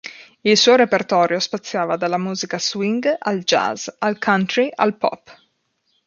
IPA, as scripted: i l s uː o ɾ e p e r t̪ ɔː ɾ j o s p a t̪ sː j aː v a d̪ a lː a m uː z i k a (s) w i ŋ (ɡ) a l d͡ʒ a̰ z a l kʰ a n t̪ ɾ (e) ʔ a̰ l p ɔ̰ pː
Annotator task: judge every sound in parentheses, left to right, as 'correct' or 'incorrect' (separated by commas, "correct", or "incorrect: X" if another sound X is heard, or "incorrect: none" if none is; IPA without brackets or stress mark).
correct, correct, incorrect: i